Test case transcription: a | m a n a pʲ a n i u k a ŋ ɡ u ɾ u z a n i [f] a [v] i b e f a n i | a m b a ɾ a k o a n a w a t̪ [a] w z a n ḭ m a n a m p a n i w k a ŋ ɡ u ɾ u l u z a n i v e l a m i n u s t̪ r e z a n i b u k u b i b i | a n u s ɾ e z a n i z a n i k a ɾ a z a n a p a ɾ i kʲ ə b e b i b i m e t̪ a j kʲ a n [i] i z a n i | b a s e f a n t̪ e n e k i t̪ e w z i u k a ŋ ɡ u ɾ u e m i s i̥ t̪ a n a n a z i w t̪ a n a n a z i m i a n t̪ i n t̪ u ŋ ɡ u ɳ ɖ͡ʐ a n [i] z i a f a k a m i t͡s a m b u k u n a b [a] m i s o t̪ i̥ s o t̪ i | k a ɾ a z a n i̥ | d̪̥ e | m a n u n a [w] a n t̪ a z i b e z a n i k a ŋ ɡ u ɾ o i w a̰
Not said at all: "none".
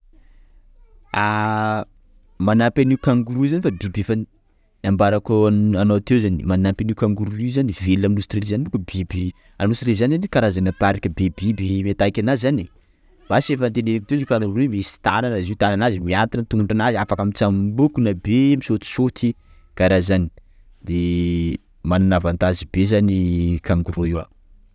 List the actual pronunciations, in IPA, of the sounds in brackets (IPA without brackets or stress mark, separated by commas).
f, b, e, a, a, e, v